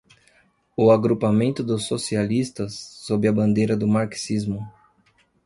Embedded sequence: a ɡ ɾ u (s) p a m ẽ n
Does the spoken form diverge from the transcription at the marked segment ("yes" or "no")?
yes